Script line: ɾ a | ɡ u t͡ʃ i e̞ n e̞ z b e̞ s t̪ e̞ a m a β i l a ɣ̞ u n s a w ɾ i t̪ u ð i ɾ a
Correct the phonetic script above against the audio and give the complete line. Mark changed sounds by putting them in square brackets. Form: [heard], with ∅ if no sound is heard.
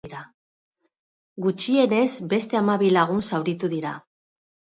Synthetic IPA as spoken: ɾ a | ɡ u t͡ʃ i e̞ n e̞ z b e̞ s t̪ e̞ a m a β i l a ɣ̞ u n s a w ɾ i t̪ u ð i ɾ a